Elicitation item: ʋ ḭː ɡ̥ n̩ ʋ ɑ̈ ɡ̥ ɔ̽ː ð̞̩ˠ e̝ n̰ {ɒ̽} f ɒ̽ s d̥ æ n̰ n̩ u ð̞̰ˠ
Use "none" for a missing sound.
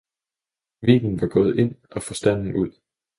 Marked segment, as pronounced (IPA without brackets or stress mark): ɒ̽